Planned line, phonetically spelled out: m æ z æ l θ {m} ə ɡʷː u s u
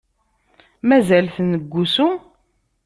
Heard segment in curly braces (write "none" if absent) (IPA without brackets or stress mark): n